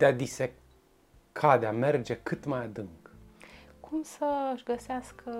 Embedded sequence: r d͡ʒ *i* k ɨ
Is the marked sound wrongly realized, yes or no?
yes